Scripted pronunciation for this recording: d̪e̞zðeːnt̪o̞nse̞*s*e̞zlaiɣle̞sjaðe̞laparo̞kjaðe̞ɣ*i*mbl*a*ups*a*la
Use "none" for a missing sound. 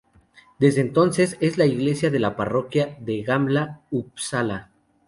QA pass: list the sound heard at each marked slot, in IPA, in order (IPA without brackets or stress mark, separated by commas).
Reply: s, a, a, a